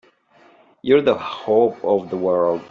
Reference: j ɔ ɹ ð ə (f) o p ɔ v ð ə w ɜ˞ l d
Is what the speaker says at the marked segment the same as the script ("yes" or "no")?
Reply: no